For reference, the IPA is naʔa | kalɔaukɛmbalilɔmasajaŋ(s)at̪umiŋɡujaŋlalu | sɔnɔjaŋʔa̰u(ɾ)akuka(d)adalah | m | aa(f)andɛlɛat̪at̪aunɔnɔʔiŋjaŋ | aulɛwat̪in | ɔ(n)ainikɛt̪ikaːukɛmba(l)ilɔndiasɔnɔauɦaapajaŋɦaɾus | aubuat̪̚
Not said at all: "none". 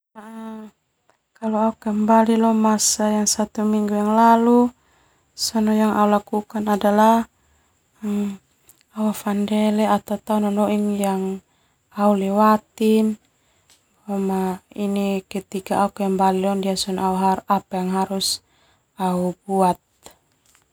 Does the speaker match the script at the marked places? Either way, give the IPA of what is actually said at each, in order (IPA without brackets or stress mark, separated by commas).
s, l, n, f, m, l